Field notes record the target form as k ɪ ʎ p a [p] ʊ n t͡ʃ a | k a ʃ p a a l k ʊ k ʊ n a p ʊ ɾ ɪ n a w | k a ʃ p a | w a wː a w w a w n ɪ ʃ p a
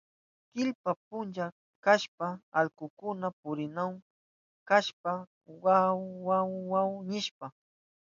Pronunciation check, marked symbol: correct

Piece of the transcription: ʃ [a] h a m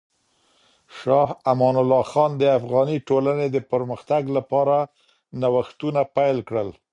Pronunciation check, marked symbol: incorrect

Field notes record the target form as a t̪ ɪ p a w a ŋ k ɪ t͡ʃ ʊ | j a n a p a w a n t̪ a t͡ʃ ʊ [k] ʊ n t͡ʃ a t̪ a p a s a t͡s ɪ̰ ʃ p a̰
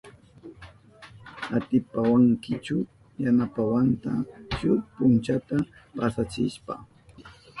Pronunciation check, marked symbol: incorrect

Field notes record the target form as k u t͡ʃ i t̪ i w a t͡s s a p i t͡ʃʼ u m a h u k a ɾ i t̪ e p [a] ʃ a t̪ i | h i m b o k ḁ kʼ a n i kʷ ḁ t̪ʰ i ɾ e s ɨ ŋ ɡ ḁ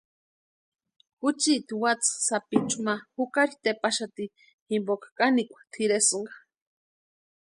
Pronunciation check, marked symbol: correct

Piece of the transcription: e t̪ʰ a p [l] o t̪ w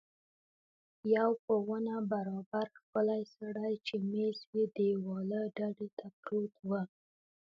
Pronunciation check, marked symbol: incorrect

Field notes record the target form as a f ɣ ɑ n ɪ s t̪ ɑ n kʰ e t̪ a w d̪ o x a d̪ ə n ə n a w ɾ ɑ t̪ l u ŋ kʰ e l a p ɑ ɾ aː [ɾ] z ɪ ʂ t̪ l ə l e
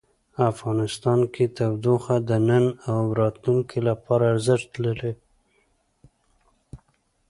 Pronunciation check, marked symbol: correct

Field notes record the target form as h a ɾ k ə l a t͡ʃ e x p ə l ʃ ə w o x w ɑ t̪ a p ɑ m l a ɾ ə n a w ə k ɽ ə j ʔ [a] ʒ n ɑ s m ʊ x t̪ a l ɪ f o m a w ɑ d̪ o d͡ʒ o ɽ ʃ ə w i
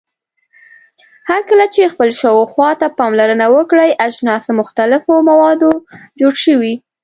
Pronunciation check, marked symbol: correct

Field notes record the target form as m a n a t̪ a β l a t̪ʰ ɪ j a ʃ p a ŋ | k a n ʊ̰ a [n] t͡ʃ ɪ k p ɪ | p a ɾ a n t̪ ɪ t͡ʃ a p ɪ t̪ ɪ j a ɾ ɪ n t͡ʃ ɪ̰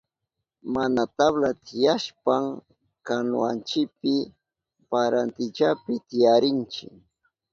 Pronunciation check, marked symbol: correct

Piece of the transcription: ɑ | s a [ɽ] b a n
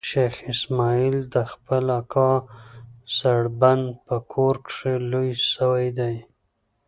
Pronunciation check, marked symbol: correct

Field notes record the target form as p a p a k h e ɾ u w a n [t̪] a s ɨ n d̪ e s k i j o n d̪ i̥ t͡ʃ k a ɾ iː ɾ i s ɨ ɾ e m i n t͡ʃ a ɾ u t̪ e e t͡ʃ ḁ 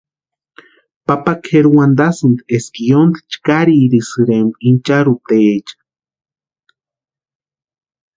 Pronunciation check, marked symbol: incorrect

